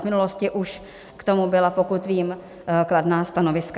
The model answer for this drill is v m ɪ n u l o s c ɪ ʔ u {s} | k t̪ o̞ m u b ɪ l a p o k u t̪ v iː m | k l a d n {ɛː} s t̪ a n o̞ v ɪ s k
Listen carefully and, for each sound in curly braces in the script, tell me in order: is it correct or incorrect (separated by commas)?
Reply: incorrect, incorrect